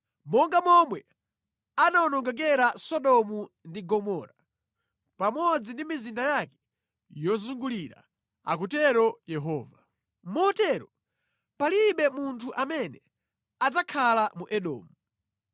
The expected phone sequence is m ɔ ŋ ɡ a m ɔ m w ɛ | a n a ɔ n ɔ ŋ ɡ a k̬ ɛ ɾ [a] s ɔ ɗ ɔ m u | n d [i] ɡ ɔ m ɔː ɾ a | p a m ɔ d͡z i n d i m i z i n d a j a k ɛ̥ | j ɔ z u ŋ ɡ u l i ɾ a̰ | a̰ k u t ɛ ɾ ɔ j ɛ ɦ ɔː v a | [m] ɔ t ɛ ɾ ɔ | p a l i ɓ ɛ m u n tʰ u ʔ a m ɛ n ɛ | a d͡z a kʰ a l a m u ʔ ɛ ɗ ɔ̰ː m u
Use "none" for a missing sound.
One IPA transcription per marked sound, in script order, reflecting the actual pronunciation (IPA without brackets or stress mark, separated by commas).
a, i, m